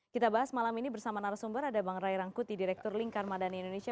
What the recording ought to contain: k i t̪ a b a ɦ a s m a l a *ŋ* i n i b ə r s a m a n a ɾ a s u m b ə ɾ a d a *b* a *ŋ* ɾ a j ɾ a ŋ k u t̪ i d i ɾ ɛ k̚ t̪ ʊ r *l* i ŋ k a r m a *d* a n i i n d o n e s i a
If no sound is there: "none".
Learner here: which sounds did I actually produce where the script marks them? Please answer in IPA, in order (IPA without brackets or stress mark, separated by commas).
m, b, ŋ, l, d